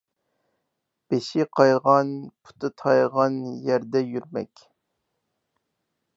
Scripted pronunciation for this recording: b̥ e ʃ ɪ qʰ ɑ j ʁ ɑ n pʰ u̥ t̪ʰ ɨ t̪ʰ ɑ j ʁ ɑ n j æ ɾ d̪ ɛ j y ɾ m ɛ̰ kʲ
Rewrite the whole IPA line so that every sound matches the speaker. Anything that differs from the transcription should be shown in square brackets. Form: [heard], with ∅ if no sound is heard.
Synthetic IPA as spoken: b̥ e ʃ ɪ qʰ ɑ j ʁ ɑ n pʰ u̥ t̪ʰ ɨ t̪ʰ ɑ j ʁ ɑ n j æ ɾ d̪ ɛ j y ɾ m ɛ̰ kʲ

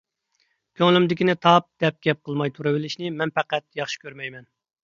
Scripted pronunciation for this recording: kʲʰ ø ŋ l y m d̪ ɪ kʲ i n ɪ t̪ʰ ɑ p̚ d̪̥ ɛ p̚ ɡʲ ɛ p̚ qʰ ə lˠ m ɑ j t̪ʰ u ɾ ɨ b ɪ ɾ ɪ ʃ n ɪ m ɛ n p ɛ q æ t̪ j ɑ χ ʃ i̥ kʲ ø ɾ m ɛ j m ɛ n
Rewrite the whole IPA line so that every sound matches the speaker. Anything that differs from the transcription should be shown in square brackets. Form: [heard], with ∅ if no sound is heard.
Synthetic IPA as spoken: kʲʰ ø ŋ l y m d̪ ɪ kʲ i n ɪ t̪ʰ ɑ p̚ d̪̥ ɛ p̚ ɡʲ ɛ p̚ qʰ ə lˠ m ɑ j t̪ʰ u ɾ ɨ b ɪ [l] ɪ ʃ n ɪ m ɛ n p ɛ q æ t̪ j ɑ χ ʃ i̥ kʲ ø ɾ m ɛ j m ɛ n

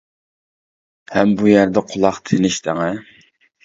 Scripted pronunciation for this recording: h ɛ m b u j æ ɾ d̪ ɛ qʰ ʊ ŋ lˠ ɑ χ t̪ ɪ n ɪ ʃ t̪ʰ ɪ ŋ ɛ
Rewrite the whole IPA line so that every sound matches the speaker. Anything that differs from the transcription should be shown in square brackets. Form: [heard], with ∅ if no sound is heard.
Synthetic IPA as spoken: h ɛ m b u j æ ɾ d̪ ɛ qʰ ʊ [∅] lˠ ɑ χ [t̪ʰ] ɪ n ɪ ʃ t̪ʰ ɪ ŋ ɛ

